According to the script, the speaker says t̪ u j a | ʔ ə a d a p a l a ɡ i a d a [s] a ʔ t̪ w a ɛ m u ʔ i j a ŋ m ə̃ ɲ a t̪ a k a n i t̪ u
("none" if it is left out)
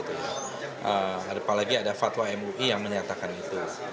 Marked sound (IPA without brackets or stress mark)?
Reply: f